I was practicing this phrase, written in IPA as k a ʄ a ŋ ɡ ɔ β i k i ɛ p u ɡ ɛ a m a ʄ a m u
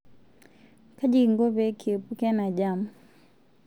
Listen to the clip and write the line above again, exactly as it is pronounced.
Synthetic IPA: k a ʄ i ŋ ɡ ɔ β ɛ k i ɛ p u k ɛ a n a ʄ a m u